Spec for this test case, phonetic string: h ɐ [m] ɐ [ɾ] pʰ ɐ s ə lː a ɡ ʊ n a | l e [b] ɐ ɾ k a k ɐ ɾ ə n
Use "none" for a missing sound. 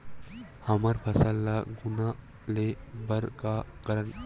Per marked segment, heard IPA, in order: m, ɾ, b

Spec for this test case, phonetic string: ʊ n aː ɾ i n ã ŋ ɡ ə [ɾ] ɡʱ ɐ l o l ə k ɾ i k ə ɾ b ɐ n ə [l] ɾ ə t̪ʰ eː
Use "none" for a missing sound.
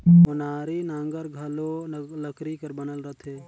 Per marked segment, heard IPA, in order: ɾ, l

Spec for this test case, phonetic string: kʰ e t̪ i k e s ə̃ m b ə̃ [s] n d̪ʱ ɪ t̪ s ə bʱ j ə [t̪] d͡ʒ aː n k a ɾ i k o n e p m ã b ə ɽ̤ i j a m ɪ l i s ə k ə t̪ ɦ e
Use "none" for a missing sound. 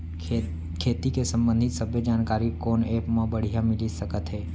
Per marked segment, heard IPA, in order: none, none

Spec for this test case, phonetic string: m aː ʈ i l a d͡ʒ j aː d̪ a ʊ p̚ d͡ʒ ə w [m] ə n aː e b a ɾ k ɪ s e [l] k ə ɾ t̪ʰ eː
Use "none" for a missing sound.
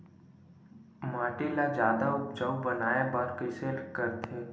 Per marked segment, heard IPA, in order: b, l

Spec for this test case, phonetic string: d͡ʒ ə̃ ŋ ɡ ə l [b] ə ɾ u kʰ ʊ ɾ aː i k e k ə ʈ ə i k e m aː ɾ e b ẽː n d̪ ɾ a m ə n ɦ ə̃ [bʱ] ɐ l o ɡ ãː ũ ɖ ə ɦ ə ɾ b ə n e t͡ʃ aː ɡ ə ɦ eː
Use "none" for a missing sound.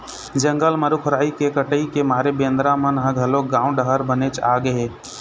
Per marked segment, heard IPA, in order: m, ɡʱ

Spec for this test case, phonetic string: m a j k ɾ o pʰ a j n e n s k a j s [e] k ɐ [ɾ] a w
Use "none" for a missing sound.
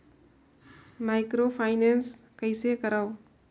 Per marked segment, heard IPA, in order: e, ɾ

